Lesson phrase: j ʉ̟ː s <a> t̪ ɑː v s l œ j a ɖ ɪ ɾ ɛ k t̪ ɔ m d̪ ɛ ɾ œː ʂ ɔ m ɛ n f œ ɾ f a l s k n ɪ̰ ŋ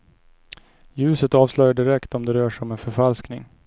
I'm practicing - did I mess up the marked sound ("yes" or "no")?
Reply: yes